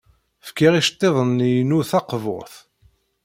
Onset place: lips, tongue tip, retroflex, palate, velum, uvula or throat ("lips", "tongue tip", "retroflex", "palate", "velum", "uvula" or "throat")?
lips